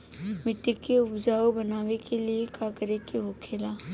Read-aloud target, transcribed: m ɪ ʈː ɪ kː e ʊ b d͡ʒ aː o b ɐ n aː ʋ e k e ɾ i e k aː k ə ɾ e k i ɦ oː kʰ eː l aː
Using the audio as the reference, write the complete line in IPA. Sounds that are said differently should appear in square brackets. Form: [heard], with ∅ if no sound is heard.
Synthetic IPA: m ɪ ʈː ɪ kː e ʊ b d͡ʒ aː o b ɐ n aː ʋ e k e [l] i e k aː k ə ɾ e k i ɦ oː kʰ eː l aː